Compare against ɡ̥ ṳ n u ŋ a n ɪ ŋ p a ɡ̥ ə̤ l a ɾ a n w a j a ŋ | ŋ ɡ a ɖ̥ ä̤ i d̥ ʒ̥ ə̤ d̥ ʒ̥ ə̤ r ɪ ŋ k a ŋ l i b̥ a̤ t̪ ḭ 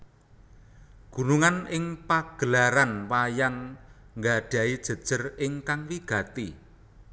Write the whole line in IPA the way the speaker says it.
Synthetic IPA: ɡ̥ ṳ n u ŋ a n ɪ ŋ p a ɡ̥ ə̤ l a ɾ a n w a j a ŋ | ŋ ɡ a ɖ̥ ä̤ i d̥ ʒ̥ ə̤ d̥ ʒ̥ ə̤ r ɪ ŋ k a ŋ l i ɡ̥ a̤ t̪ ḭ